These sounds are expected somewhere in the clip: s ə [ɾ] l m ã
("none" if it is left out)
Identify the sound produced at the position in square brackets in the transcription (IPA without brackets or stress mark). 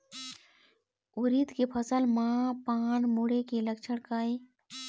none